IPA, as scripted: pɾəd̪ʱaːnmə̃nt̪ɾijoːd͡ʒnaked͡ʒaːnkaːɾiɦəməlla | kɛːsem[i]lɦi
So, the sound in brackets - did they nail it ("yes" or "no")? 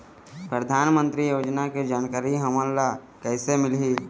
no